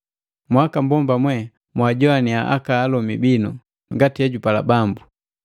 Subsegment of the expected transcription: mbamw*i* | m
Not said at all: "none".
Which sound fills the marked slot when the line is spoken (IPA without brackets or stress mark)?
ɛ